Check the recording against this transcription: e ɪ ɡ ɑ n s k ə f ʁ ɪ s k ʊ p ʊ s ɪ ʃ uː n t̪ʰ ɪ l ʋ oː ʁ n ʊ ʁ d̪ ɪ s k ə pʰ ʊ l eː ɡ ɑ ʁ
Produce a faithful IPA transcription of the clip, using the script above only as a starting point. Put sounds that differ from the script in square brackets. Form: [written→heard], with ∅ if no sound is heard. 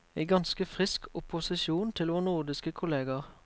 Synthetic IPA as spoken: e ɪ ɡ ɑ n s k ə f ʁ ɪ s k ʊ p ʊ s ɪ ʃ uː n t̪ʰ ɪ l ʋ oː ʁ n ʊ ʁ d̪ ɪ s k ə [pʰ→kʰ] ʊ l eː ɡ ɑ ʁ